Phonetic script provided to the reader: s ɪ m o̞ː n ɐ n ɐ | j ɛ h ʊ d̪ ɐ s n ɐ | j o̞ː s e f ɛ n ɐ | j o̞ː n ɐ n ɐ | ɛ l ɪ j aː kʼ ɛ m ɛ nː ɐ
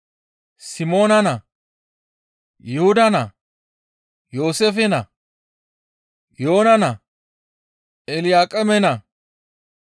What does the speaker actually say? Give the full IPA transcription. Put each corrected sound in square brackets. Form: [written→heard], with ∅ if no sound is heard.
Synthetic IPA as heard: s ɪ m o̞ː n ɐ n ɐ | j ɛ h ʊ d̪ ɐ [s→∅] n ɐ | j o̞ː s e f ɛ n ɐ | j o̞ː n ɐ n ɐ | ɛ l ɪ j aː kʼ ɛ m ɛ [nː→n] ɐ